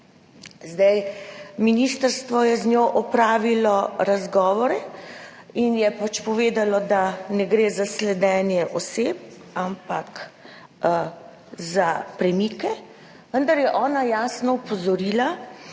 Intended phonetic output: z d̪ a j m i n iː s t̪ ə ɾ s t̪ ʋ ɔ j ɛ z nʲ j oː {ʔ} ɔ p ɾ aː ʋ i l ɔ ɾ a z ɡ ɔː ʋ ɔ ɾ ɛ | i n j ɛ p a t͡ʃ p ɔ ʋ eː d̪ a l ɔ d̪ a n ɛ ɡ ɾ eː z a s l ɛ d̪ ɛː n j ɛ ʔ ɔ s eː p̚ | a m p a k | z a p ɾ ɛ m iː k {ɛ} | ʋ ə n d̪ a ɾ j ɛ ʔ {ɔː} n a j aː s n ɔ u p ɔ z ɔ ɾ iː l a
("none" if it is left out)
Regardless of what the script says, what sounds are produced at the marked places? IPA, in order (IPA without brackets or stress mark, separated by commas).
ʔ, ɛ, ɔː